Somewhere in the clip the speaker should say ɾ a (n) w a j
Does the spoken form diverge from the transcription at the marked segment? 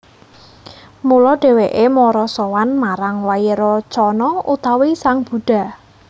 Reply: yes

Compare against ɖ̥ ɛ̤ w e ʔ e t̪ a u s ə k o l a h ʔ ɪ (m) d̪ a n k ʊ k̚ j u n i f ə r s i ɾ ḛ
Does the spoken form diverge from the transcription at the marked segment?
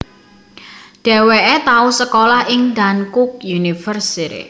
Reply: yes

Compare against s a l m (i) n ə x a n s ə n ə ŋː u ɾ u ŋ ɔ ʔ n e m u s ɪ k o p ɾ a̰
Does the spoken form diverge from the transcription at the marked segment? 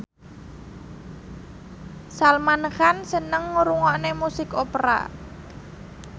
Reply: yes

